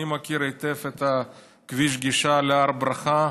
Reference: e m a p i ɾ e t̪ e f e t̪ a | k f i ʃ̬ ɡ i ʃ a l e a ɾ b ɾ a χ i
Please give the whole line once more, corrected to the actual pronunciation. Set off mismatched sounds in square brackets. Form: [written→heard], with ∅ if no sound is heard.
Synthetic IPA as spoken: [e→i] m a [p→k] i ɾ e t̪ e f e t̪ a | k [f→v] i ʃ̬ ɡ i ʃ a l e a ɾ b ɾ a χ [i→a]